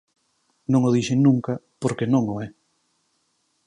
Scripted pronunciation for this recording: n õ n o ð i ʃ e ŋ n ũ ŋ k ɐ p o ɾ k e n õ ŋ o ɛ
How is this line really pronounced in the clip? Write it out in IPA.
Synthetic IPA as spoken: n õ ŋ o ð i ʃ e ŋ n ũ ŋ k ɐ p o ɾ k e n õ ŋ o ɛ